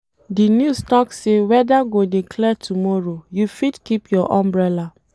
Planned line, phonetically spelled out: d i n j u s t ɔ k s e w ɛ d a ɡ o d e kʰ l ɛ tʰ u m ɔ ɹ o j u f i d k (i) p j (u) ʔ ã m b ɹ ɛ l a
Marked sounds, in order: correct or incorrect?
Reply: correct, incorrect: ɔ

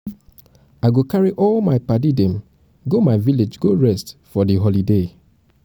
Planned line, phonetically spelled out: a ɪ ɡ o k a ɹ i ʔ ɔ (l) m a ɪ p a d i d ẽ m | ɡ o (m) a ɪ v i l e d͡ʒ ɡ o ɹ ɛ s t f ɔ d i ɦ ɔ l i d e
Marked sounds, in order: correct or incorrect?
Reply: correct, correct

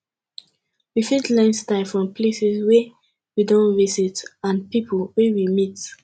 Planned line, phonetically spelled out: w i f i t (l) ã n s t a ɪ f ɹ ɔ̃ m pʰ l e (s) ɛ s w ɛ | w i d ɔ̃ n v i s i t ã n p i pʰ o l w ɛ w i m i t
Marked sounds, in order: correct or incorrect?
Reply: correct, correct

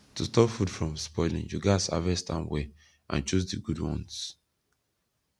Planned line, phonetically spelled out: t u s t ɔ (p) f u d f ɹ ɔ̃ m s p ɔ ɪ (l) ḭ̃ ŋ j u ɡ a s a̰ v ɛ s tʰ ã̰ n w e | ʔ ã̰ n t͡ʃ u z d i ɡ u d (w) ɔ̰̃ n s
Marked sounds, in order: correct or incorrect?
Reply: correct, correct, correct

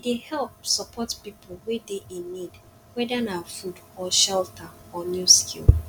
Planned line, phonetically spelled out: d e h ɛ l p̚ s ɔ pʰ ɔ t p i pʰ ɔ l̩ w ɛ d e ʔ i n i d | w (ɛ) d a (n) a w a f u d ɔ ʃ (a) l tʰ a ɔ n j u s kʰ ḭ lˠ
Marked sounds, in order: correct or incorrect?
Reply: correct, correct, incorrect: ɛ

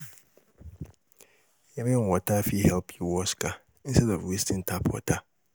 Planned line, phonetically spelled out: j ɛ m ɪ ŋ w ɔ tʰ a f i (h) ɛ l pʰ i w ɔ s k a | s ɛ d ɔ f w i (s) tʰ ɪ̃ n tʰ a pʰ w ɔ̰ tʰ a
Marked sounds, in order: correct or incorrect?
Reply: correct, correct

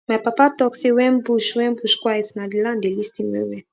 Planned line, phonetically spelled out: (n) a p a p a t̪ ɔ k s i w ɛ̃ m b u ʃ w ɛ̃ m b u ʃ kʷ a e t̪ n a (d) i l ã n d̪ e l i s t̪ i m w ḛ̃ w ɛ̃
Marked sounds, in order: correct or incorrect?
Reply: incorrect: m, correct

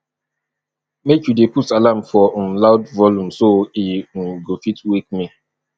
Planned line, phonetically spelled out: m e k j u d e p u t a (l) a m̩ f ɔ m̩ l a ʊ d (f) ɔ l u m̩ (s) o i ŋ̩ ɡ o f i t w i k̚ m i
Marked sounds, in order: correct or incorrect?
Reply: correct, incorrect: v, correct

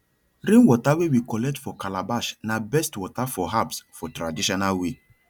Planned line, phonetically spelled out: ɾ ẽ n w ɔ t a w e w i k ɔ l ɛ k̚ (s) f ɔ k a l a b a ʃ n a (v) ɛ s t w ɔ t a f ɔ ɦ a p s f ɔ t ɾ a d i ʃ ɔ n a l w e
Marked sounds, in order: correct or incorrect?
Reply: incorrect: t, incorrect: b

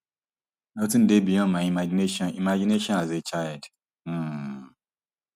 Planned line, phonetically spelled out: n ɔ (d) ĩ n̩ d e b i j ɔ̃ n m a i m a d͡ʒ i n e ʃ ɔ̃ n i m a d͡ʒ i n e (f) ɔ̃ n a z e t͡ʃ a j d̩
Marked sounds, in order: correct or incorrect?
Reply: incorrect: t, incorrect: ʃ

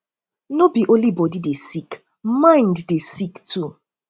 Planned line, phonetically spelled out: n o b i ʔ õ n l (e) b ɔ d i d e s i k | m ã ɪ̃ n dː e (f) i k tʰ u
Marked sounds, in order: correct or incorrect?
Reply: incorrect: i, incorrect: s

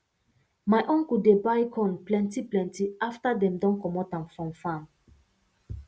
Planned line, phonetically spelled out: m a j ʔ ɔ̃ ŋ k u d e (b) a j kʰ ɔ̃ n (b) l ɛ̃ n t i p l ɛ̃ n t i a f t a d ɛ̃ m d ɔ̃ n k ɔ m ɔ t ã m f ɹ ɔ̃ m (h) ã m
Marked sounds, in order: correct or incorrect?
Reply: correct, incorrect: p, incorrect: f

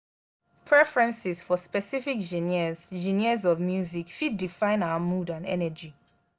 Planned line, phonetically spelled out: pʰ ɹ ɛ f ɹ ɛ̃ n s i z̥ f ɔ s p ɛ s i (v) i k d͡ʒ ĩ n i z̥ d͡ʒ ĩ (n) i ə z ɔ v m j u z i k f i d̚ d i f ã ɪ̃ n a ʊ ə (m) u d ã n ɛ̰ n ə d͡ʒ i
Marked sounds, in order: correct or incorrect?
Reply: incorrect: f, correct, correct

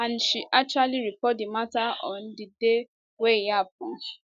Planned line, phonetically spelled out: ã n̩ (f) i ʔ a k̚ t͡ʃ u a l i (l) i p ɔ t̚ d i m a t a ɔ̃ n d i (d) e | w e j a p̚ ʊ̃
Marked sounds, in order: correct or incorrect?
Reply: incorrect: ʃ, incorrect: ɾ, correct

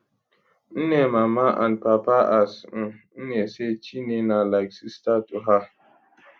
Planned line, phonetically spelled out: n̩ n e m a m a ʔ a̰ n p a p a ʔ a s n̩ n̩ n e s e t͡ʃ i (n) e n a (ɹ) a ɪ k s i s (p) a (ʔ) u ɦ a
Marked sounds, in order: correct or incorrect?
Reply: correct, incorrect: l, incorrect: t, incorrect: t

